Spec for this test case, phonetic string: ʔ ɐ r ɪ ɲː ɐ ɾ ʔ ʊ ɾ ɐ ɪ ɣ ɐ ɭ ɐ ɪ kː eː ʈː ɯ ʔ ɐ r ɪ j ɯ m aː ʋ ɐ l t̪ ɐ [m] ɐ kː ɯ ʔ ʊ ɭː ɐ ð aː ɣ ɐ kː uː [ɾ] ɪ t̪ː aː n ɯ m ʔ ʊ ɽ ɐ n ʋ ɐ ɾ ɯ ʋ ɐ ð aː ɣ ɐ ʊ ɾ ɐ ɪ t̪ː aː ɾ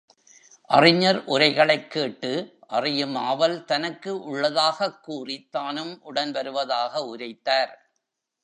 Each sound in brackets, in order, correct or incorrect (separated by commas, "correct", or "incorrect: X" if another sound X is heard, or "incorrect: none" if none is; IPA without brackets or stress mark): incorrect: n, incorrect: r